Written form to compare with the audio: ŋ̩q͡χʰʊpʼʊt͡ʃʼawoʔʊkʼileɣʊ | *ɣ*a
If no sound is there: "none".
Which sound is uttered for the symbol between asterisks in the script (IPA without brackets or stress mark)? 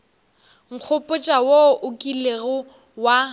w